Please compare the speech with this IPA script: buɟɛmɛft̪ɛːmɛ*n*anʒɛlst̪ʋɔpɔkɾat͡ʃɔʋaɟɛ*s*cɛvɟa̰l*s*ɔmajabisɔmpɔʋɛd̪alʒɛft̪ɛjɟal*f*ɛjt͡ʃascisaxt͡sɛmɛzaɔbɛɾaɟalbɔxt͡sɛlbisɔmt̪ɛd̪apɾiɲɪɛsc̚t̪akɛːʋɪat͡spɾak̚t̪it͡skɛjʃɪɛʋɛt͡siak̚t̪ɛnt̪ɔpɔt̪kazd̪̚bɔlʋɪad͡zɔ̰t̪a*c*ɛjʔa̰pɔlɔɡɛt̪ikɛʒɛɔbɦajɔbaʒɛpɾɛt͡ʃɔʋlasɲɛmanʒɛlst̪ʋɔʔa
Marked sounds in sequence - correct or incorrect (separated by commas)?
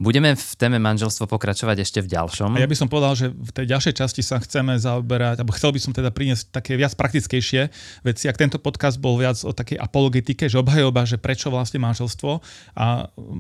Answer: incorrect, incorrect, incorrect, incorrect, incorrect